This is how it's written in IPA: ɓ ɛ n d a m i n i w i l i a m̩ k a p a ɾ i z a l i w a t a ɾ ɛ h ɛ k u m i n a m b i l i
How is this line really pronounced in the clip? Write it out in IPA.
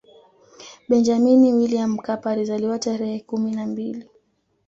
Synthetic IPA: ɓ ɛ n d͡ʒ a m i n i w i l i a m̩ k a p a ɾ i z a l i w a t a ɾ ɛ h ɛ k u m i n a m b i l i